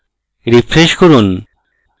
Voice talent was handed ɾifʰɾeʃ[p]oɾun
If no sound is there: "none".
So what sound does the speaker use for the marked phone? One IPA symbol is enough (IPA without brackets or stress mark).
k